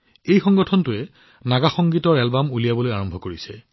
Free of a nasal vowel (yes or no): yes